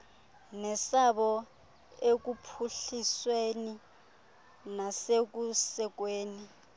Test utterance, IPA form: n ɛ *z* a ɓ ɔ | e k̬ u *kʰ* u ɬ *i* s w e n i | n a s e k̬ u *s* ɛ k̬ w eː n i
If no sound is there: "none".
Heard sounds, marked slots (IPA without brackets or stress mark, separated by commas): s, pʰ, i, s